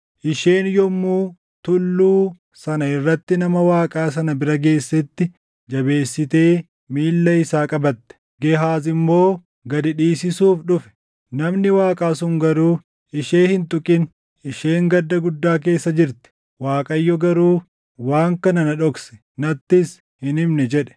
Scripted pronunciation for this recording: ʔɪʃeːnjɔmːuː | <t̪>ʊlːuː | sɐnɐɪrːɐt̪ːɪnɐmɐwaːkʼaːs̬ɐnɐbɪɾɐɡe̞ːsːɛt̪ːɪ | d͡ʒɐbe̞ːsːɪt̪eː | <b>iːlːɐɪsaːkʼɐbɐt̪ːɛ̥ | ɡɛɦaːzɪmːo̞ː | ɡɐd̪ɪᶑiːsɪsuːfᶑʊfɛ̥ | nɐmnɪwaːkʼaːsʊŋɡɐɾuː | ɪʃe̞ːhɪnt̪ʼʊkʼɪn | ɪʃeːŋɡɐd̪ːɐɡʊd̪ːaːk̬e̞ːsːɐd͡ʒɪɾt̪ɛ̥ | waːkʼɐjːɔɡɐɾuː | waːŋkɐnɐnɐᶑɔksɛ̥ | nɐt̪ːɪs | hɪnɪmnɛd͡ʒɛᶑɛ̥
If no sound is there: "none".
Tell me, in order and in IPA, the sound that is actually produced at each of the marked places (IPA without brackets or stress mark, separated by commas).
t̪, m